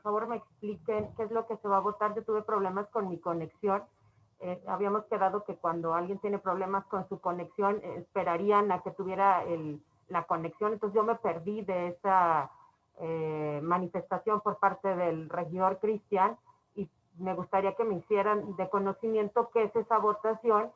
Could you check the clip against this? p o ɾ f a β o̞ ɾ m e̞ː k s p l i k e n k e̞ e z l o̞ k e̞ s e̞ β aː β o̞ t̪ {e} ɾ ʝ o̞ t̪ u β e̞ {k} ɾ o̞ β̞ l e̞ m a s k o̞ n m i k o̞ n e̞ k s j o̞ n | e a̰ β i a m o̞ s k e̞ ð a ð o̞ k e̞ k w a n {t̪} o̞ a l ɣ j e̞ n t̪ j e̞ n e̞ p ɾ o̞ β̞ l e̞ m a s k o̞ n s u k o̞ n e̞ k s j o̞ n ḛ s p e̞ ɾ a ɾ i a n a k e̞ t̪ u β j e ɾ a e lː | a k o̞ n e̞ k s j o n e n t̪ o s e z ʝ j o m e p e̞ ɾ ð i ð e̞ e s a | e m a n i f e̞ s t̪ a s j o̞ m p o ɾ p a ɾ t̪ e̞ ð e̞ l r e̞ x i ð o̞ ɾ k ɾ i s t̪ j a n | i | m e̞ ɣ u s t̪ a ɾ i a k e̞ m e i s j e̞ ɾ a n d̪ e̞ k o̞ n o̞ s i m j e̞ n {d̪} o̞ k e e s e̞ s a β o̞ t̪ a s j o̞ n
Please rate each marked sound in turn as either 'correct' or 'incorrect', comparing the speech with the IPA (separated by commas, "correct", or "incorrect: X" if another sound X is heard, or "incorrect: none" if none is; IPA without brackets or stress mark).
incorrect: a, incorrect: p, incorrect: d̪, incorrect: t̪